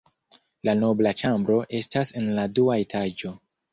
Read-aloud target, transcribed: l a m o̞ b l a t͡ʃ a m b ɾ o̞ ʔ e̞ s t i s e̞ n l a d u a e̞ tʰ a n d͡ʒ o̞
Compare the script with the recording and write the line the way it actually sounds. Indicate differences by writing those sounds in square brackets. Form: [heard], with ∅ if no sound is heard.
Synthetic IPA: l a [n] o̞ b l a t͡ʃ a m b ɾ o̞ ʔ e̞ s t [a] s e̞ n l a d u a e̞ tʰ a [∅] d͡ʒ o̞